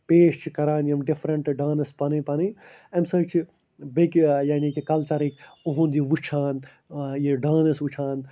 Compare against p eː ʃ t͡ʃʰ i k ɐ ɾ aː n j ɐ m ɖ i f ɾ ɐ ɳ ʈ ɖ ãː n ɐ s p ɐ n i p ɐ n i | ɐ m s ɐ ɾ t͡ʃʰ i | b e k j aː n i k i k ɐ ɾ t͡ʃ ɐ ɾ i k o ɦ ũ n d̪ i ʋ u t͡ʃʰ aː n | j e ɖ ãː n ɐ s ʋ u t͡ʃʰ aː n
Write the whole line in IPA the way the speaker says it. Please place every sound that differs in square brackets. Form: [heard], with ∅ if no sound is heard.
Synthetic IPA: p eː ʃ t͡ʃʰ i k ɐ ɾ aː n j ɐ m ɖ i f ɾ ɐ ɳ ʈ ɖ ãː n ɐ s p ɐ n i p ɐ n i | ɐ m s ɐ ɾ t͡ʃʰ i | b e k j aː n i k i k ɐ [l] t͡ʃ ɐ ɾ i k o ɦ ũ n d̪ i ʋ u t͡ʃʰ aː n | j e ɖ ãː n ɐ s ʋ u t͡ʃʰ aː n

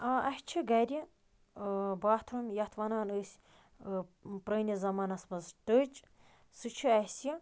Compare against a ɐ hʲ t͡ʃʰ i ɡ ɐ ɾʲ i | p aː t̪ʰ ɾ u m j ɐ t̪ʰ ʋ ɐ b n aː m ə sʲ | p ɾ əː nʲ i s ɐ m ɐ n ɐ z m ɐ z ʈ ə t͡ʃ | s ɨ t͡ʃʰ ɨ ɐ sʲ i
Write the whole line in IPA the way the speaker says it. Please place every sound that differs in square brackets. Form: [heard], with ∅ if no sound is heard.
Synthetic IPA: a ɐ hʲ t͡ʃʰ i ɡ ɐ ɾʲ i | [b] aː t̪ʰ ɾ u m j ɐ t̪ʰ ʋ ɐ [∅] n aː [n] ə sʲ | p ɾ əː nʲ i [z] ɐ m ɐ n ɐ [s] m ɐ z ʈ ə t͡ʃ | s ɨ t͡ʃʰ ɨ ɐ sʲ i

